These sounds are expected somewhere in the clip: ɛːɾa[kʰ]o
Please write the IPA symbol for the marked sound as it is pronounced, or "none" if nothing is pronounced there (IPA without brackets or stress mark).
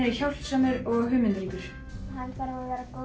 k